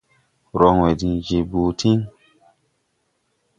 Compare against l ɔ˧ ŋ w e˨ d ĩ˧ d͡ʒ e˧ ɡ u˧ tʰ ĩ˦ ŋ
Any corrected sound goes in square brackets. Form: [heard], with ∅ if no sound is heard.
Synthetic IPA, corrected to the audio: [ɾ] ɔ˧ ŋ w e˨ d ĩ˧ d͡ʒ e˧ [b] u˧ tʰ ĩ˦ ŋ